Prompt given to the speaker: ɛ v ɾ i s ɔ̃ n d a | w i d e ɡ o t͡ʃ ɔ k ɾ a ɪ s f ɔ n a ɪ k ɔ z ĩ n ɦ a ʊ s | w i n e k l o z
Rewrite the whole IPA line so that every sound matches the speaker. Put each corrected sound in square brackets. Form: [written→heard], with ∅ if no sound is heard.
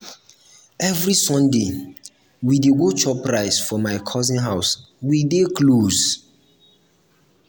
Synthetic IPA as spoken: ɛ v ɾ i s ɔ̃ n d [a→e] | w i d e ɡ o t͡ʃ ɔ [k→p] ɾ a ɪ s f ɔ [n→m] a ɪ [k→kʰ] ɔ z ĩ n ɦ a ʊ s | w i [n→d] e k l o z